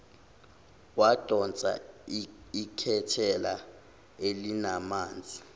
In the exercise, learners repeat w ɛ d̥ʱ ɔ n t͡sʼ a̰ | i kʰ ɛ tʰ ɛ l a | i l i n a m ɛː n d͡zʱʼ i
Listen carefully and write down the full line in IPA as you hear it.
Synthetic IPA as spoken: w a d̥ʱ ɔ n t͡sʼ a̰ | i kʰ ɛ tʰ ɛ l a | e l i n a m aː n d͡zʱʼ i